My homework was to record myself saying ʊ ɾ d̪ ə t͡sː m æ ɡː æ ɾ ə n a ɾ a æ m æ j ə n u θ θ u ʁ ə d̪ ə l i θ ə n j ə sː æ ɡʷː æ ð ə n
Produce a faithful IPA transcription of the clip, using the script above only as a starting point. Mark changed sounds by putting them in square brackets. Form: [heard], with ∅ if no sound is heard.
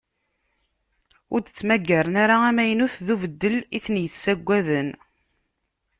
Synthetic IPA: ʊ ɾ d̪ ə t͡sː m æ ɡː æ ɾ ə n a ɾ a æ m æ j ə n u θ [ð] u [v] ə [d̪ː] ə l i θ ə n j ə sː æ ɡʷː æ ð ə n